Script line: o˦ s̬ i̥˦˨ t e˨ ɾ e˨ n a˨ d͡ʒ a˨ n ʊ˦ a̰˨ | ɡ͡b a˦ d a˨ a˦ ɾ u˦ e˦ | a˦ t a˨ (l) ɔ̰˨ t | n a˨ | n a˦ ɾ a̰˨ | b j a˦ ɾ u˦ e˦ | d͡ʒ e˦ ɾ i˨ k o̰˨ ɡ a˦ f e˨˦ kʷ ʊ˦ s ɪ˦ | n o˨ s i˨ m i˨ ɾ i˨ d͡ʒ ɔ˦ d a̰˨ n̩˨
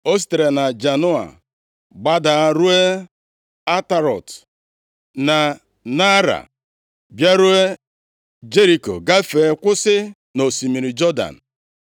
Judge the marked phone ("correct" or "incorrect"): incorrect